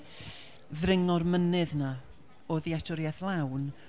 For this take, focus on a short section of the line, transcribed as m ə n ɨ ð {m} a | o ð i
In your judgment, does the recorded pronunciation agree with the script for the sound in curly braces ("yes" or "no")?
no